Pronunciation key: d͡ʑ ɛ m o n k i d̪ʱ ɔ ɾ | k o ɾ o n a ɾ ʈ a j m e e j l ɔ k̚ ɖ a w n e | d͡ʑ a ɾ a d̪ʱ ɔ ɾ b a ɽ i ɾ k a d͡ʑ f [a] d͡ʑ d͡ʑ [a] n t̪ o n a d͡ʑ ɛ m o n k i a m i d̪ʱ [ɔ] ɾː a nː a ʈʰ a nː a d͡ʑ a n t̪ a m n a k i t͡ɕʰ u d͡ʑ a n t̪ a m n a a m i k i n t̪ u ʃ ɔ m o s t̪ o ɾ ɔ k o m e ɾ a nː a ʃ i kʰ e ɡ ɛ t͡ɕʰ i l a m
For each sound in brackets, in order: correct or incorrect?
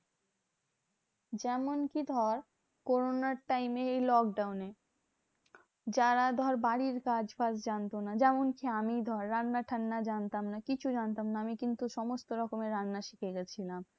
correct, correct, correct

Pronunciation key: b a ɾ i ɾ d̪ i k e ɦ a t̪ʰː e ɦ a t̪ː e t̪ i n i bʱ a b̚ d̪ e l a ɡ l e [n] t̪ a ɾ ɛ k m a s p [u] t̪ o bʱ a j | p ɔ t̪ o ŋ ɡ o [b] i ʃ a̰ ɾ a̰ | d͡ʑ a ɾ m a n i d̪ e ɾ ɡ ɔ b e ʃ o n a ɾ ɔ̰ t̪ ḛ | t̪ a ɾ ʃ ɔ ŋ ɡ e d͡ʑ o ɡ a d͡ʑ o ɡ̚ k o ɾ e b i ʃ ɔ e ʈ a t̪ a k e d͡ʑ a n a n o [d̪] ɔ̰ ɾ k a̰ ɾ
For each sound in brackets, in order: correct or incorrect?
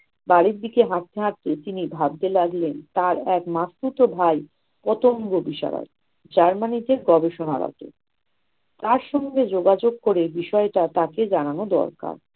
correct, correct, correct, correct

